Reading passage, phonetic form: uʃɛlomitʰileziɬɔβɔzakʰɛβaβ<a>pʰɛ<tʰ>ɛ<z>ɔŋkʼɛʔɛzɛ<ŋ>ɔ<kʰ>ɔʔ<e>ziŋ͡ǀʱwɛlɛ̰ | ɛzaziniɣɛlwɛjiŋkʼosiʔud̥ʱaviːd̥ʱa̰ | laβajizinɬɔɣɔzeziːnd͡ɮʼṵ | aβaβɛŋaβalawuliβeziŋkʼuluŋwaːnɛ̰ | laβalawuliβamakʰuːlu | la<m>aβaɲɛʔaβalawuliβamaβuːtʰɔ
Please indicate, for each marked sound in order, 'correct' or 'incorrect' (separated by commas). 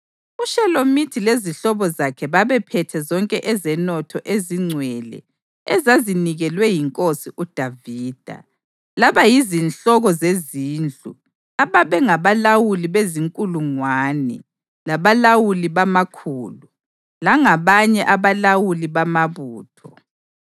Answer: incorrect, correct, correct, incorrect, incorrect, correct, incorrect